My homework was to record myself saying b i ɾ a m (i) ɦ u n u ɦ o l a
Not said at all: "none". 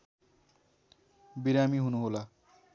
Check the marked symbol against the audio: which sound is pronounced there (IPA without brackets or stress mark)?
i